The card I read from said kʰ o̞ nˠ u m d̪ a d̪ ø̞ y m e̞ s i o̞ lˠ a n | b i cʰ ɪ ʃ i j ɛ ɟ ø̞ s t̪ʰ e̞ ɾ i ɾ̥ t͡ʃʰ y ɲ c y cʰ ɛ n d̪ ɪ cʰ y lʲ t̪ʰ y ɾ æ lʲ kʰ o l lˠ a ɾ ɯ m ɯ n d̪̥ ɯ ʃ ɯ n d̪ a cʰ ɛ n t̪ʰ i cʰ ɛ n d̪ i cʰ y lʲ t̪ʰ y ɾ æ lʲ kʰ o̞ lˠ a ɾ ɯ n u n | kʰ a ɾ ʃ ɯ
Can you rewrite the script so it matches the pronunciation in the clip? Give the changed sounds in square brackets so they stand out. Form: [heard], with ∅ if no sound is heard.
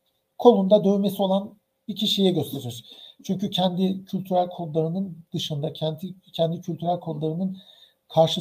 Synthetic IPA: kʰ o̞ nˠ u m d̪ a d̪ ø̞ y m e̞ s i o̞ lˠ a n | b i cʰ [i] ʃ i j ɛ ɟ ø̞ s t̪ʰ e̞ ɾ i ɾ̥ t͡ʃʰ y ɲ c y cʰ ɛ n d̪ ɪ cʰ y lʲ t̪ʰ y ɾ æ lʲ kʰ o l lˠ a ɾ ɯ [n] ɯ n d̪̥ ɯ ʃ ɯ n d̪ a cʰ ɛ n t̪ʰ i cʰ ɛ n d̪ i cʰ y lʲ t̪ʰ y ɾ æ lʲ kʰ o̞ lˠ a ɾ ɯ n [ɯ] n | kʰ a ɾ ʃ ɯ